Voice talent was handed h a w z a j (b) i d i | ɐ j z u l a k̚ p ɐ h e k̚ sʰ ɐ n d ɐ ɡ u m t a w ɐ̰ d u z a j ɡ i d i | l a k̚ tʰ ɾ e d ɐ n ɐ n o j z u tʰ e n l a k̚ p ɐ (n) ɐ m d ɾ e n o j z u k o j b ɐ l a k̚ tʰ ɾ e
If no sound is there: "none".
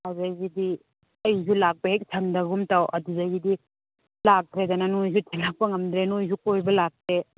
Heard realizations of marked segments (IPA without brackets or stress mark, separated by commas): ɡ, ŋ